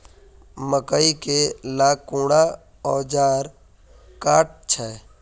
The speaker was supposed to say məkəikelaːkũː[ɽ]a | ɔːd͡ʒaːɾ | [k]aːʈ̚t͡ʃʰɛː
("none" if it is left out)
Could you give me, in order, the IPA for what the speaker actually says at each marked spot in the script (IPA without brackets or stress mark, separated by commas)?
ɽ, k